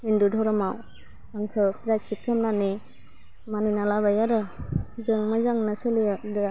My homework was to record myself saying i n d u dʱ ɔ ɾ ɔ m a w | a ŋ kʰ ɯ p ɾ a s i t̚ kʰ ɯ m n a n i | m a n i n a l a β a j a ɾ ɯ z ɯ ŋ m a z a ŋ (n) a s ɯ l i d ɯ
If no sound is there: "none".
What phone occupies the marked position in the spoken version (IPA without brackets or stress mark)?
n